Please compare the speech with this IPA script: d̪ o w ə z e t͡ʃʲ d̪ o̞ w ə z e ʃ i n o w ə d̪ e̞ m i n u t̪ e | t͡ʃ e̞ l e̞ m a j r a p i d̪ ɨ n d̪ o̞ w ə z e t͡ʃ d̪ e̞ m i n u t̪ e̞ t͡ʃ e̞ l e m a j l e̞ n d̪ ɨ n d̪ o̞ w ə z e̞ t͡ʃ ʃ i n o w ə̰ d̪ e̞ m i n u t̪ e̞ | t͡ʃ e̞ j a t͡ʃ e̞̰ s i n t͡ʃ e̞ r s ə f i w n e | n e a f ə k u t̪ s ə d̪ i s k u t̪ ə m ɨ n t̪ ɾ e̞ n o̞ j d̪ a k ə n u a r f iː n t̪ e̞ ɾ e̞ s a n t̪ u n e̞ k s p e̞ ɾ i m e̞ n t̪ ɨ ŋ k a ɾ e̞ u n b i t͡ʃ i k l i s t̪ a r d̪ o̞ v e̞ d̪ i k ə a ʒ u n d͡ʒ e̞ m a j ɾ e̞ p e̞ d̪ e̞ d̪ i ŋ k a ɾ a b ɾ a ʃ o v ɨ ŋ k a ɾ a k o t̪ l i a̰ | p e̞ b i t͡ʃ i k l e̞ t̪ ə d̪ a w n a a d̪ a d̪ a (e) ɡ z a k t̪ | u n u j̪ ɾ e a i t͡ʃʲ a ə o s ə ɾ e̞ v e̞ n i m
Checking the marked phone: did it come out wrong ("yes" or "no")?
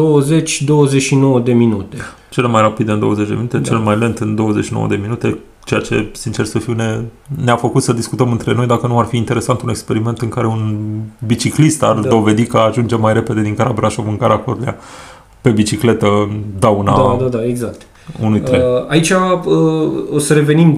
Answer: no